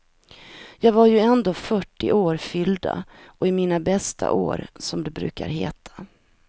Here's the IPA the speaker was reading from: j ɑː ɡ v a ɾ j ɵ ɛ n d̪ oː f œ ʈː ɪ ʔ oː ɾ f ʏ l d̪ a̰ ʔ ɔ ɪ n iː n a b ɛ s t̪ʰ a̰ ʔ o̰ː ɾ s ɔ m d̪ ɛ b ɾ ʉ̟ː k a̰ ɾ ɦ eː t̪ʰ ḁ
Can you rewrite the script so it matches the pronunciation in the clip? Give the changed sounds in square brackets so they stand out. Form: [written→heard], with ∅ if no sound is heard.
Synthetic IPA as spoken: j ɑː ɡ v a ɾ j ɵ ɛ n d̪ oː f œ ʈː ɪ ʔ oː ɾ f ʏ l d̪ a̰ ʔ ɔ ɪ [n→m] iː n a b ɛ s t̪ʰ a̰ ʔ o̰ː ɾ s ɔ m d̪ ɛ b ɾ ʉ̟ː k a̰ ɾ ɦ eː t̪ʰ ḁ

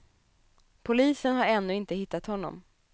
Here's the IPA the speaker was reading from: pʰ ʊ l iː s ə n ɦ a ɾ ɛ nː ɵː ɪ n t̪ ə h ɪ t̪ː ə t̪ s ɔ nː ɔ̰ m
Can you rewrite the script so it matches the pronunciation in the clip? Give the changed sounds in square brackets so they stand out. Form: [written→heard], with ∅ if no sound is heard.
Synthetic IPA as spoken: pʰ ʊ l iː s ə n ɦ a ɾ ɛ nː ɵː ɪ n t̪ ə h ɪ t̪ː [ə→a] t̪ [s→h] ɔ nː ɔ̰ m

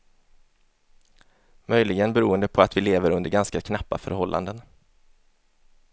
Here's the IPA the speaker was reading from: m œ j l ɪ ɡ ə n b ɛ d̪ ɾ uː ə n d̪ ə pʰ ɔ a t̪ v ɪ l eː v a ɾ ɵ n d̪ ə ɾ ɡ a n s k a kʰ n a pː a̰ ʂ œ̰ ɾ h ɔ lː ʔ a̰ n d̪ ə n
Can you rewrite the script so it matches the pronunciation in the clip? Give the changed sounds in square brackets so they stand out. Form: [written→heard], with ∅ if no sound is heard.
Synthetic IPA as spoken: m œ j l ɪ ɡ ə n b ɛ [d̪→∅] ɾ uː ə n d̪ ə pʰ ɔ a t̪ v ɪ l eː v [a→ə] ɾ ɵ n d̪ ə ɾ ɡ a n s k a kʰ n a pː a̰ [ʂ→f] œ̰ ɾ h ɔ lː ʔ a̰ n d̪ ə n

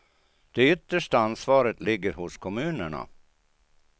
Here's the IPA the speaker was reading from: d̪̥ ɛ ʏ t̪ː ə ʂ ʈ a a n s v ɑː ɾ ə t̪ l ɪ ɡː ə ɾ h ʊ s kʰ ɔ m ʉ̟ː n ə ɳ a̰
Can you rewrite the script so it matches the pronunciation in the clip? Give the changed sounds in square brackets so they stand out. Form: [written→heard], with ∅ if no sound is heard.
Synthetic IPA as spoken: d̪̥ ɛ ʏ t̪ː ə ʂ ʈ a a n s v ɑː ɾ ə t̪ l ɪ ɡː ə ɾ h ʊ s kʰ ɔ m ʉ̟ː n ə ɳ a̰

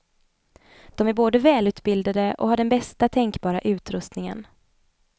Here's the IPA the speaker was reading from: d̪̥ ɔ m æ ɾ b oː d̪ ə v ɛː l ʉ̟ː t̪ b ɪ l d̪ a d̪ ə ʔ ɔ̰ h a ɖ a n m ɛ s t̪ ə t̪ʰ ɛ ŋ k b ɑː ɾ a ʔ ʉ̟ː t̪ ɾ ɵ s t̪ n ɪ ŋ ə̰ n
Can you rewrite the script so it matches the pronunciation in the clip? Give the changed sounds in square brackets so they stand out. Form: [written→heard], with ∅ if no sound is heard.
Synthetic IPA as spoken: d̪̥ ɔ m æ ɾ b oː d̪ ə v ɛː l ʉ̟ː t̪ b ɪ l d̪ a d̪ ə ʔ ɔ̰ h a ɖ [a→ɛ] n [m→b] ɛ s t̪ [ə→a] t̪ʰ ɛ ŋ k b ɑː ɾ a ʔ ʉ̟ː t̪ ɾ ɵ s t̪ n ɪ ŋ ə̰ n

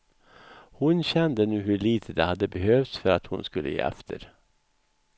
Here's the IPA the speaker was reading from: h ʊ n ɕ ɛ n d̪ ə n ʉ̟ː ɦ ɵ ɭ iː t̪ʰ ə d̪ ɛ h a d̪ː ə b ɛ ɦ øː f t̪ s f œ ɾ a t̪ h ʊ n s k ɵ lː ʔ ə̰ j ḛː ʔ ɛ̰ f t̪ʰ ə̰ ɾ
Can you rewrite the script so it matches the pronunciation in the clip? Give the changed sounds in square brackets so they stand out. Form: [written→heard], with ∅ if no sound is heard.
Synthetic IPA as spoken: h ʊ n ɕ ɛ n d̪ ə n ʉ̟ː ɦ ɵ ɭ iː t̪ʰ ə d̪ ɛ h a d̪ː ə b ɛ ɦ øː f t̪ s f œ ɾ a t̪ h ʊ n s k ɵ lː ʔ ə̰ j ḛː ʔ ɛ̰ f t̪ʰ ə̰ ɾ

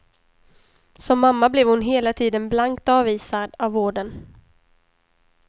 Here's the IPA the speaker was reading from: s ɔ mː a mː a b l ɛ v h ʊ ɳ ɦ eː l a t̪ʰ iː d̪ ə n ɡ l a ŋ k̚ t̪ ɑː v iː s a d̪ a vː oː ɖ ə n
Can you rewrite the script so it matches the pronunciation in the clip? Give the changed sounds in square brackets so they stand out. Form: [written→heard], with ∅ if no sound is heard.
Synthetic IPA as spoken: s ɔ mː a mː a b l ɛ v h ʊ [ɳ→n] ɦ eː l a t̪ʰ iː d̪ ə n [ɡ→b] l a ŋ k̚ t̪ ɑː v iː s a d̪ a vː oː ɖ ə n

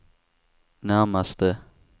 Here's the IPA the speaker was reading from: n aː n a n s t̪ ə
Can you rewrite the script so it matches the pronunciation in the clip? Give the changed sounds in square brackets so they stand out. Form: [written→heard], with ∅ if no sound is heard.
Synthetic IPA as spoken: n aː [n→m] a [n→∅] s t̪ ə

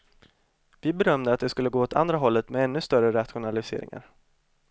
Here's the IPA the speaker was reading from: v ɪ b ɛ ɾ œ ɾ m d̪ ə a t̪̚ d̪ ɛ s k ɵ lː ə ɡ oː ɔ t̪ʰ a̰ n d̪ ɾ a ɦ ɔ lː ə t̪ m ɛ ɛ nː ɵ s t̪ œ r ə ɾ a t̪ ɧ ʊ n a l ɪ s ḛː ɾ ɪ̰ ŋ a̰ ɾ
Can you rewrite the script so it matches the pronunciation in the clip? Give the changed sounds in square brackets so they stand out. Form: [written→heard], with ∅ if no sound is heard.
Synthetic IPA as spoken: v ɪ b ɛ ɾ œ [ɾ→∅] m d̪ ə a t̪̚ d̪ ɛ s k ɵ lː ə ɡ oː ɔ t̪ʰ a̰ n d̪ ɾ a ɦ ɔ lː ə t̪ m ɛ ɛ nː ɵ s t̪ œ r ə ɾ a t̪ ɧ ʊ n a l ɪ s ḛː ɾ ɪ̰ ŋ a̰ ɾ

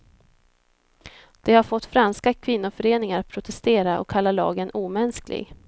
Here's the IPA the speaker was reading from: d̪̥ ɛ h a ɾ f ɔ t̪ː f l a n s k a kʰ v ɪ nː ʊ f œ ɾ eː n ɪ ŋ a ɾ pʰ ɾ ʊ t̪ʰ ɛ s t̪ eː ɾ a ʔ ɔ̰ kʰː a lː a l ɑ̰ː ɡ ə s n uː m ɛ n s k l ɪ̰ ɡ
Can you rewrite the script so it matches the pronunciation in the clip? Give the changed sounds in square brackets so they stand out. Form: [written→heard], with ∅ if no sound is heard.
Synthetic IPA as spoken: d̪̥ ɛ h a ɾ f ɔ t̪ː f [l→ɾ] a n s k a kʰ v ɪ nː ʊ f œ ɾ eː n ɪ ŋ a ɾ pʰ ɾ ʊ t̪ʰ ɛ s t̪ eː ɾ a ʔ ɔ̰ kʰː a lː a l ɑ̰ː ɡ ə [s→∅] n uː m ɛ n s k l ɪ̰ ɡ

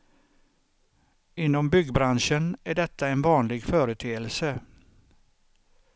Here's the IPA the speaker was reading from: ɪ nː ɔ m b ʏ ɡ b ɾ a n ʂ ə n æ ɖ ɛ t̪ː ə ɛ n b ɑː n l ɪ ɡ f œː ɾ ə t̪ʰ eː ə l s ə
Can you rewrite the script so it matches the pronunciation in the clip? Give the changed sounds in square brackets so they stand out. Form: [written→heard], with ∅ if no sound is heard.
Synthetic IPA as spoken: ɪ nː ɔ m b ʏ ɡ b ɾ a n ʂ ə n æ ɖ ɛ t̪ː [ə→a] ɛ n [b→v] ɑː n l ɪ ɡ f œː ɾ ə t̪ʰ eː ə l s ə

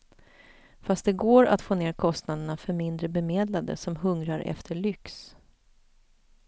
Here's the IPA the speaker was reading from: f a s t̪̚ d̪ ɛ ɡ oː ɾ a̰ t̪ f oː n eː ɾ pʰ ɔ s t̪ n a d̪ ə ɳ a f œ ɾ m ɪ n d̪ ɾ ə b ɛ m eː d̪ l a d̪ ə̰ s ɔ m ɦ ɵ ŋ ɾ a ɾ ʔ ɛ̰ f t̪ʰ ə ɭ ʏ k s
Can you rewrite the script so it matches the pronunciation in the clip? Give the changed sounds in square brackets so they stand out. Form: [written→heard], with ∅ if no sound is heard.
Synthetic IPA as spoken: f a s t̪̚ d̪ ɛ ɡ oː ɾ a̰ t̪ f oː n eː ɾ [pʰ→kʰ] ɔ s t̪ n a d̪ ə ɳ a f œ ɾ m ɪ n d̪ ɾ ə b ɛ m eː d̪ l a d̪ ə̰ s ɔ m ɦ ɵ ŋ ɾ a ɾ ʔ ɛ̰ f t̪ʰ ə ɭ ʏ k s

